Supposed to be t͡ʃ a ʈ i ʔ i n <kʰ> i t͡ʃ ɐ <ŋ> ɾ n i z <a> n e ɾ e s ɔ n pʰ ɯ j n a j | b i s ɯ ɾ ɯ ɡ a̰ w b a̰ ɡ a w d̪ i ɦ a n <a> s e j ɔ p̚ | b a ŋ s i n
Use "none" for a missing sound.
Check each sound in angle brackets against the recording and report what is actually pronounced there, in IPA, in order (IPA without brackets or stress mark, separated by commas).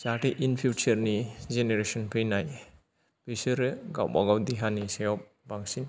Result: pʰ, none, e, i